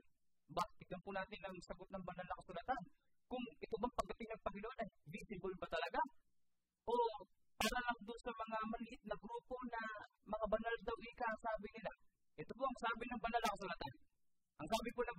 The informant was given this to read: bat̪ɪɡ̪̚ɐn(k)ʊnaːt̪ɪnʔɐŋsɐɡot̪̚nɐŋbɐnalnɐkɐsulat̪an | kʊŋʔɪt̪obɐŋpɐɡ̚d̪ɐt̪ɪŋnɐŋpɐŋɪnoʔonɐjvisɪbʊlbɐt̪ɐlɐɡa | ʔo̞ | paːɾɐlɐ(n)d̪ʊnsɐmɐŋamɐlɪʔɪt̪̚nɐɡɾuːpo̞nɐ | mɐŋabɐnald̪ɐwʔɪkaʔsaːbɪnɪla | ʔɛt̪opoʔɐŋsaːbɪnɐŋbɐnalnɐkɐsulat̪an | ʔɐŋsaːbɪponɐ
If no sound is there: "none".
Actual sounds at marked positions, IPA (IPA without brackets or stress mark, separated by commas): p, ŋ